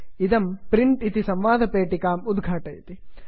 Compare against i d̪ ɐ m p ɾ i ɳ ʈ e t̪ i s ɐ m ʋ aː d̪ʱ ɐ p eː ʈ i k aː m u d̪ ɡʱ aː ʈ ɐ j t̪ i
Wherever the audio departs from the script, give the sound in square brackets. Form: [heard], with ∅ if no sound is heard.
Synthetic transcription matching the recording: i d̪ ɐ m p ɾ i ɳ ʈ [i] t̪ i s ɐ m ʋ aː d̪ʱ ɐ p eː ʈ i k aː m u d̪ ɡʱ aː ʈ ɐ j t̪ i